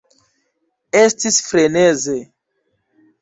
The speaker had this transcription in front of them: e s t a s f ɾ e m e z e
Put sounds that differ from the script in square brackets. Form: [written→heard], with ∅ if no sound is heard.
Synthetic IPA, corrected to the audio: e s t [a→i] s f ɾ e [m→n] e z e